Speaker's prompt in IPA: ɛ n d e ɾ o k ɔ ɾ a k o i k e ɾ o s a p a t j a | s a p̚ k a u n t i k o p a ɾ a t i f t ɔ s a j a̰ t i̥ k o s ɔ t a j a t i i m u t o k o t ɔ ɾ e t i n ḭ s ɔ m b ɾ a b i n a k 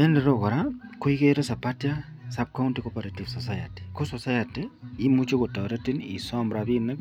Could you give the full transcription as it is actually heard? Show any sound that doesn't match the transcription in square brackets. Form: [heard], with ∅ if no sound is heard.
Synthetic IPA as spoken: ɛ n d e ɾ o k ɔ ɾ a k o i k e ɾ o s a p a t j a | s a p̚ k a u n t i k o p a ɾ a t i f [s] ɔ s a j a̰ t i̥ k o s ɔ [s] a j a t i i m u [t͡ʃ] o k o t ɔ ɾ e t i n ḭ s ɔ m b ɾ a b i n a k